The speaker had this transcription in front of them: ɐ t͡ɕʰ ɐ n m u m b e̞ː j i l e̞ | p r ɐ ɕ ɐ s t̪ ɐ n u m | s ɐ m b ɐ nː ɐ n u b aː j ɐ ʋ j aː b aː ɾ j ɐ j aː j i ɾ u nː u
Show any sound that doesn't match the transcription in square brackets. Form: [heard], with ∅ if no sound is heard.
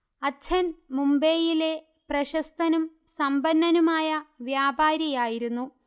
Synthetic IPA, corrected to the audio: ɐ t͡ɕʰ ɐ n m u m b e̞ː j i l e̞ | p r ɐ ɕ ɐ s t̪ ɐ n u m | s ɐ m b ɐ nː ɐ n u [m] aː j ɐ ʋ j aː b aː ɾ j ɐ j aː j i ɾ u nː u